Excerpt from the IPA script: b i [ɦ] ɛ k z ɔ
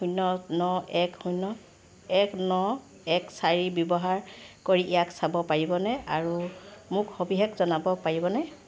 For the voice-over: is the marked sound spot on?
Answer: yes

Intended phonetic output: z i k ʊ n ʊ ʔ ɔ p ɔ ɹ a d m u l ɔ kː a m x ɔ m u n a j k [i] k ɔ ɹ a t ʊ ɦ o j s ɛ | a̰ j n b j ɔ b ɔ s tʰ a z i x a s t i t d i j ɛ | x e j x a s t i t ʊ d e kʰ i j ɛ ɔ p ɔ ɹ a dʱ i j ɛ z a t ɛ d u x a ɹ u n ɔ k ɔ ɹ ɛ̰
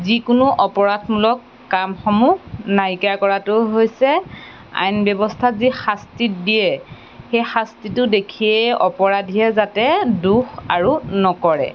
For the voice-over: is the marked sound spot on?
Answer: no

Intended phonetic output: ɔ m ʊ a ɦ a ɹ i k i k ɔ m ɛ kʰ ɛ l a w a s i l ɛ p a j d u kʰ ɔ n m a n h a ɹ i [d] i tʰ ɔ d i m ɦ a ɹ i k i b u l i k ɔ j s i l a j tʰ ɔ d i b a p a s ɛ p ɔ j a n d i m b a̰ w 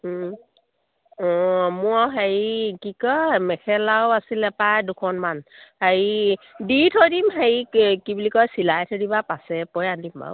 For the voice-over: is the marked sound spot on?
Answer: yes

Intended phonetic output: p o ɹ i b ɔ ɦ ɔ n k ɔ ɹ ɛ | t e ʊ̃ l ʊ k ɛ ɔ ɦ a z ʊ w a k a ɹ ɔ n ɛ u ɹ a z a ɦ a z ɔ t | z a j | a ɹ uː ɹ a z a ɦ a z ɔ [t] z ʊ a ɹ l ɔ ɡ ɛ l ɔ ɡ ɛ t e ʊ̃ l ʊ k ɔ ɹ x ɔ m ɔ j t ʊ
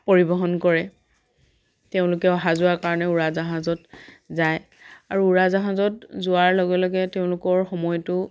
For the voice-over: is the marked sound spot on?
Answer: yes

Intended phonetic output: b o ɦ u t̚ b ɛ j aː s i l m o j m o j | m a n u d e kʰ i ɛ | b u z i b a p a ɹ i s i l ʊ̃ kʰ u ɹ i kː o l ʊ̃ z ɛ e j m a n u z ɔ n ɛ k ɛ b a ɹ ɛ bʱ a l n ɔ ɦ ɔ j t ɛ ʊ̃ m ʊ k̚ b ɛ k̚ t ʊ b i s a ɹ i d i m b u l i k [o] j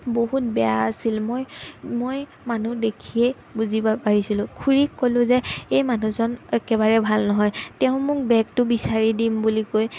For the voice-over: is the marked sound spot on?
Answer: yes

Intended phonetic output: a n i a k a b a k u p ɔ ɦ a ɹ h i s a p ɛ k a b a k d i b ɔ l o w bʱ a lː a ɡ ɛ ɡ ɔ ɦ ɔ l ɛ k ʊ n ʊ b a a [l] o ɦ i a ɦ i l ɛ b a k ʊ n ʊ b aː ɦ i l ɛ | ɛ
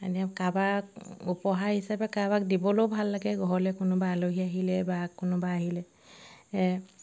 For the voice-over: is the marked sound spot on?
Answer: yes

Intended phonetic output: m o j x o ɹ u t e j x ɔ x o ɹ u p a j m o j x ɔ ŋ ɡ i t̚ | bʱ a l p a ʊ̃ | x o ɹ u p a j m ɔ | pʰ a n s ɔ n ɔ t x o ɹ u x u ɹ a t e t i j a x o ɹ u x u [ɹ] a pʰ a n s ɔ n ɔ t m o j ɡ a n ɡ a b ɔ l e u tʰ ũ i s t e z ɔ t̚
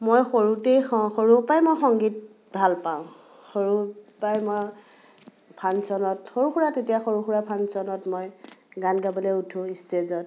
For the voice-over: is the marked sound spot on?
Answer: yes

